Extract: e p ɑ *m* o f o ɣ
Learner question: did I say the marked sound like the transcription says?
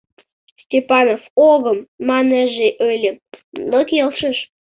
no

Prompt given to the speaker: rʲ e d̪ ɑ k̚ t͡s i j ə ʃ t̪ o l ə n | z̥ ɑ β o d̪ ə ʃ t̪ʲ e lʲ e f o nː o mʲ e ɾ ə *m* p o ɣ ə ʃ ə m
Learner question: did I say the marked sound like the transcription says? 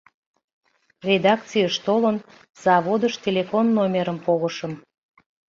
yes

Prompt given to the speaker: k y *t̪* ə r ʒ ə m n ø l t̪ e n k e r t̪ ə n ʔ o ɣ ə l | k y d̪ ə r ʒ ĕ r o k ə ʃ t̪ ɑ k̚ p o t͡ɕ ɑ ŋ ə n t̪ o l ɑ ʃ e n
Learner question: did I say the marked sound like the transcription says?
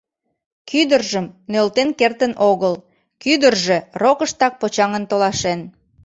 no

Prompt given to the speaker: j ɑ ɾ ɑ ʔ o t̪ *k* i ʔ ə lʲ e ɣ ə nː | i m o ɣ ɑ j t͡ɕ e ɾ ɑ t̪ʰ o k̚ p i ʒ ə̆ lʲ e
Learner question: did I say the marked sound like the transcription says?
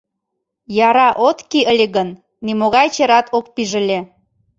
yes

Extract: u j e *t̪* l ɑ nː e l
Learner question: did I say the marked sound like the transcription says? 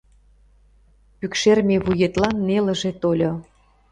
yes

